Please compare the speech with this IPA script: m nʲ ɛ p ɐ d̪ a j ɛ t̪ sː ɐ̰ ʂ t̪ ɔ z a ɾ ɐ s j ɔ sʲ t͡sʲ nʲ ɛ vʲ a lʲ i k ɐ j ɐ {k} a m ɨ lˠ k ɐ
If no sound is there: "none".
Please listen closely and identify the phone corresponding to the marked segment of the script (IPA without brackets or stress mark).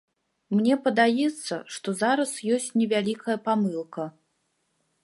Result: p